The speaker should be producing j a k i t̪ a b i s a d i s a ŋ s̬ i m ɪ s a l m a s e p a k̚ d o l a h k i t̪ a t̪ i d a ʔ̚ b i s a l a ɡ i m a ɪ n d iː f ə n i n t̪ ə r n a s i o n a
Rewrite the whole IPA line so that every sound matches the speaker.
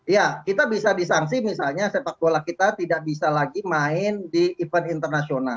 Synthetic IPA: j a k i t̪ a b i s a d i s a ŋ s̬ i m i s a l ɲ a s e p a k̚ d o l a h k i t̪ a t̪ i d a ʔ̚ b i s a l a ɡ i m a ɪ n d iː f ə n i n t̪ ə r n a s i o n a